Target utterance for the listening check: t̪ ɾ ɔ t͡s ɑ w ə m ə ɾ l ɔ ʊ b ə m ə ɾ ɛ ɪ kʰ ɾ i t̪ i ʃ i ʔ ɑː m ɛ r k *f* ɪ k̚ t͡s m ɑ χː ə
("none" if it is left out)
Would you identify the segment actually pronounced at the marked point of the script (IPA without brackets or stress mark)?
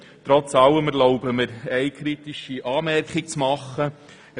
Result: χ